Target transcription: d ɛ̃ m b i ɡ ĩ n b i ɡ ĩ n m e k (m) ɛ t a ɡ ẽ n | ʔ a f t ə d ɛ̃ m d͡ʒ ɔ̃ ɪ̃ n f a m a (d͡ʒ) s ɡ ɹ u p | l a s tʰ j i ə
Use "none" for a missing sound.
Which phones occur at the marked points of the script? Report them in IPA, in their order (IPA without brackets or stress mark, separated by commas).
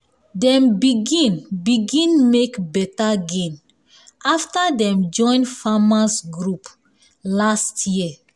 b, none